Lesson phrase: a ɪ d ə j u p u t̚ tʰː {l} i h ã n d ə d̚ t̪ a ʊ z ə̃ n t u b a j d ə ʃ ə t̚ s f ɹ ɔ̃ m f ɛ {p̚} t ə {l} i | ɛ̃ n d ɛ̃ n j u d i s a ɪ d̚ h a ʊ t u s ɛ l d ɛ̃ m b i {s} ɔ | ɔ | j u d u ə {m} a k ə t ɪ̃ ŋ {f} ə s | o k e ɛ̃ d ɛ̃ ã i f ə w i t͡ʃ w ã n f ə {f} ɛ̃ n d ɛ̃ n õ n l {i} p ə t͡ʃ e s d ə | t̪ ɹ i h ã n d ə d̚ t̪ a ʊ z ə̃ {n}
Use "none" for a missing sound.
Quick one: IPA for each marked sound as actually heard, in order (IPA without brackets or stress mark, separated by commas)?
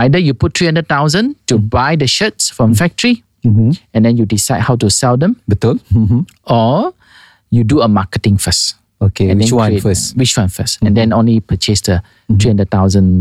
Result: ɹ, k̚, ɹ, t, m, f, s, i, n